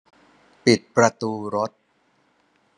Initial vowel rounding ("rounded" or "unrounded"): unrounded